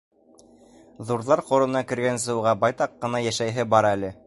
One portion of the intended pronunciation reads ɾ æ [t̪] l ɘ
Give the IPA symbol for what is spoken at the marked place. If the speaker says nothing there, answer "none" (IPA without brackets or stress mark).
none